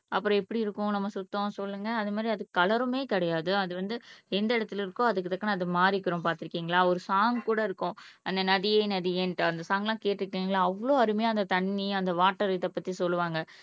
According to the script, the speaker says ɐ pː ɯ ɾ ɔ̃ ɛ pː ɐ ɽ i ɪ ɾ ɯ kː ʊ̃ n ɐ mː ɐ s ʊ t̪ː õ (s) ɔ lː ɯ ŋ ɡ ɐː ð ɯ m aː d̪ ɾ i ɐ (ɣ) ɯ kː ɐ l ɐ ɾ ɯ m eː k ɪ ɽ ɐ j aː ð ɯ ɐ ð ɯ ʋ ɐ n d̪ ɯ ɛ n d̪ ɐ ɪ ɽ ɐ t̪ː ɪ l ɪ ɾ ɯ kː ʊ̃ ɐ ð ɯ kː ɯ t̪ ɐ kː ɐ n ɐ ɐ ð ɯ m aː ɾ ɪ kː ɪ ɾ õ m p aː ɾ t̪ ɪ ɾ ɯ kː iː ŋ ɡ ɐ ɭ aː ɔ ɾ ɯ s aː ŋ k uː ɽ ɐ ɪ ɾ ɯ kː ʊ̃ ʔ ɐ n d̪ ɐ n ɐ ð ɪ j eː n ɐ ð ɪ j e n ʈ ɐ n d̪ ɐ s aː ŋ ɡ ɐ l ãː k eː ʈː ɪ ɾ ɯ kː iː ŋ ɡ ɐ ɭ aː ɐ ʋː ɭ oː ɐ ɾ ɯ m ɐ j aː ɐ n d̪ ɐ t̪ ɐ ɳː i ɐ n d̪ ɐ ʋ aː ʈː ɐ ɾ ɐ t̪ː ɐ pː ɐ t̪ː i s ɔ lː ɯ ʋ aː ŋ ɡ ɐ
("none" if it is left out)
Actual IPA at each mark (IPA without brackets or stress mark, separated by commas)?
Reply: s, ð